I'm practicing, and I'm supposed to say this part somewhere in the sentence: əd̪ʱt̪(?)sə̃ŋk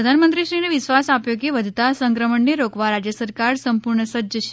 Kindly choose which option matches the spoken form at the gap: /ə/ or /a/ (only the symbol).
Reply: a